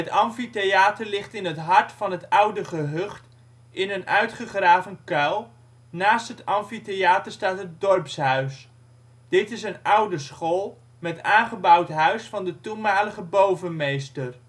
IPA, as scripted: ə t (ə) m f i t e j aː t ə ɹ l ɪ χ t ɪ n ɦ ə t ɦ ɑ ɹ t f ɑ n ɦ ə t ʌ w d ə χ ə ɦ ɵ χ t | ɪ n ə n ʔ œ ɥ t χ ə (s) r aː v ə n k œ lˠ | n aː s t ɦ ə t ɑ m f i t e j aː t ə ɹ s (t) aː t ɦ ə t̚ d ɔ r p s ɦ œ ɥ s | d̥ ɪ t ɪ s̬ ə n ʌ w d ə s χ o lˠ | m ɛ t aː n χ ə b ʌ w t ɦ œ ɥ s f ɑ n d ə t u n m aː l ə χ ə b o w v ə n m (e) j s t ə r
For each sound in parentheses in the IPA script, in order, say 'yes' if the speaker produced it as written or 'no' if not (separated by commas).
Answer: no, no, yes, yes